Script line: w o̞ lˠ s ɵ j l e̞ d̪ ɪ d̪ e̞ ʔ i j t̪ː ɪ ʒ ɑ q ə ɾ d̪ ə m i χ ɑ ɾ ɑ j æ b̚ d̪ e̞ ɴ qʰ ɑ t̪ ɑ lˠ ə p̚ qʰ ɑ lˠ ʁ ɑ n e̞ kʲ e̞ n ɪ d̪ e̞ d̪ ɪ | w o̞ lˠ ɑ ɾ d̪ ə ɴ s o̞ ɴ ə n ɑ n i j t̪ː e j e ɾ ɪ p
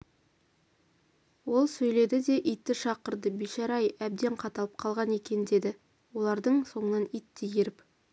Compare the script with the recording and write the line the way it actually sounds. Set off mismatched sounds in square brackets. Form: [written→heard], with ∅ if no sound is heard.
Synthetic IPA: w o̞ lˠ s ɵ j l e̞ d̪ ɪ d̪ e̞ ʔ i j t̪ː ɪ [ʒ→ʃ] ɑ q ə ɾ d̪ ə [m→b] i [χ→ʃ] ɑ ɾ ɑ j æ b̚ d̪ e̞ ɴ qʰ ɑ t̪ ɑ lˠ ə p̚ qʰ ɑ lˠ ʁ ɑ n e̞ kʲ e̞ n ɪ d̪ e̞ d̪ ɪ | w o̞ lˠ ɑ ɾ d̪ ə ɴ s o̞ ɴ ə n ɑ n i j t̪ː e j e ɾ ɪ p